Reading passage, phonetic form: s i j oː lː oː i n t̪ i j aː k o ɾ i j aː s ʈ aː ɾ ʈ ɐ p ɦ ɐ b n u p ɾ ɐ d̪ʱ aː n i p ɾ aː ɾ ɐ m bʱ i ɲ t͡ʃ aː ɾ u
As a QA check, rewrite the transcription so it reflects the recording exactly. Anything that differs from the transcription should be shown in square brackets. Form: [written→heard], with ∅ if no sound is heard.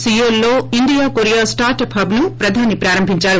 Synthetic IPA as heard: s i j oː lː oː i n [t̪→d̪] i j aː k o ɾ i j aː s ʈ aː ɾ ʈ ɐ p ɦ ɐ b n u p ɾ ɐ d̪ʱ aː n i p ɾ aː ɾ ɐ m bʱ i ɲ t͡ʃ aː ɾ u